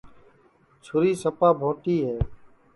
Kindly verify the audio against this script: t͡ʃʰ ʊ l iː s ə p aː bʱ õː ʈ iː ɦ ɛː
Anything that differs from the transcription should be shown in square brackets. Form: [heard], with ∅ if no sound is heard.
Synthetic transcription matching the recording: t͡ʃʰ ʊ [ɾ] iː s ə p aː bʱ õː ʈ iː ɦ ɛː